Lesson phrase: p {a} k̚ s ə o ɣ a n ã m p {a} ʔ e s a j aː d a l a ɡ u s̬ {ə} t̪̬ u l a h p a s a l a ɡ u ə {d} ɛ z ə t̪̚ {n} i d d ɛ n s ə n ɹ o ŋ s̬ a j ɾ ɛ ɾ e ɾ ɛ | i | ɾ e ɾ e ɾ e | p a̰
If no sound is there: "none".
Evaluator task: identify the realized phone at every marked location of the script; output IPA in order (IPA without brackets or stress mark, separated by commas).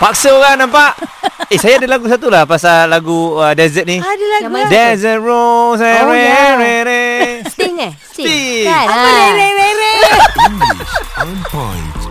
a, a, a, d, n